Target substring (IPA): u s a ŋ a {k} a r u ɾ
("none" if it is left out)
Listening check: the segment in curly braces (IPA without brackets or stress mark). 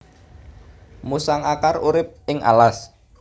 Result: k